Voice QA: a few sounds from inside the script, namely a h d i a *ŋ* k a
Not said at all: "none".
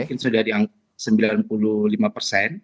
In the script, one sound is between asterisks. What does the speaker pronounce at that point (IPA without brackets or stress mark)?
ŋ